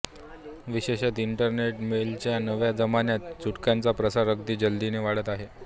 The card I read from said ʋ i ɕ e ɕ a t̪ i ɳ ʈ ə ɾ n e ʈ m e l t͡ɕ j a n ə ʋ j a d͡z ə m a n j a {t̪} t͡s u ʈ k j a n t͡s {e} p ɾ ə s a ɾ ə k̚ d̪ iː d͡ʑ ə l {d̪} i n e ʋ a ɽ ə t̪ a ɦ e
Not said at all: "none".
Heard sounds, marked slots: t̪, a, d̪

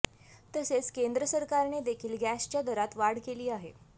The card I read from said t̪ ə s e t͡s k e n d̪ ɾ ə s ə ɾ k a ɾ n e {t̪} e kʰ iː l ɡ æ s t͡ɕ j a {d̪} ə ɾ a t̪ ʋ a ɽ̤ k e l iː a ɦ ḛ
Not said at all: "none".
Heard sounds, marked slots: d̪, d̪

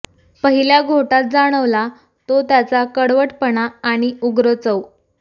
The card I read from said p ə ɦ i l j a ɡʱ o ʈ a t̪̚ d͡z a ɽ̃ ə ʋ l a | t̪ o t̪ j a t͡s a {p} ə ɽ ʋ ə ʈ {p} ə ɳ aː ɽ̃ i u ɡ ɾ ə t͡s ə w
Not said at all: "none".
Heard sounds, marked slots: k, p

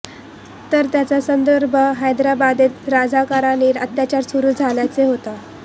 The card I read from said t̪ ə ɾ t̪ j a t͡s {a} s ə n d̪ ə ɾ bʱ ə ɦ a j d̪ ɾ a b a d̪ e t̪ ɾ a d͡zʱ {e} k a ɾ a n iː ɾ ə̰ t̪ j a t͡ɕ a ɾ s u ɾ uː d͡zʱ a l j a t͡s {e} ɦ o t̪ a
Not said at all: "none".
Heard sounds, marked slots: a, a, e

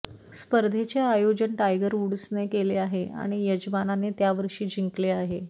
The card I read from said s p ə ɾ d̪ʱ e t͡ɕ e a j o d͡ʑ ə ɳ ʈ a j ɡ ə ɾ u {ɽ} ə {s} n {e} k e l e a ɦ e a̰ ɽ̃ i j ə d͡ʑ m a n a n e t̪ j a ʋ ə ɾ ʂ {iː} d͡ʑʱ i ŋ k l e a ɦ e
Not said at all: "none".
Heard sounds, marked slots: ɽ, s, e, iː

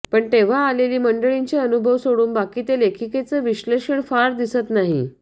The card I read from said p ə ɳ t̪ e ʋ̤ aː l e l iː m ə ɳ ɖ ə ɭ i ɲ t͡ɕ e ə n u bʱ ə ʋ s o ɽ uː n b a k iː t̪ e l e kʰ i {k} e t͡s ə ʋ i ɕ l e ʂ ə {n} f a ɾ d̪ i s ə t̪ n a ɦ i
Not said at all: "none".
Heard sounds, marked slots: k, ɳ

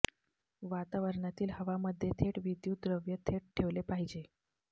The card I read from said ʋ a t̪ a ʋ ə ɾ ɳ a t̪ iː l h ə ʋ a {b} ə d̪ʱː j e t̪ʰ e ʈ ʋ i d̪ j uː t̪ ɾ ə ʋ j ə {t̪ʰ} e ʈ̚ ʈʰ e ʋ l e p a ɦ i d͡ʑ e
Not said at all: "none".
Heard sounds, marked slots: m, t̪ʰ

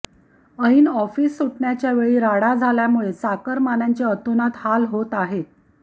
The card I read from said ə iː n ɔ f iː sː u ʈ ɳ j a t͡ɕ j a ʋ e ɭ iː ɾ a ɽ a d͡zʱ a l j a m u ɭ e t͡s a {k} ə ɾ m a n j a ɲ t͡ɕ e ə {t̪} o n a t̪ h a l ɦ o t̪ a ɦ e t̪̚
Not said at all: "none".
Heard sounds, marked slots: k, t̪

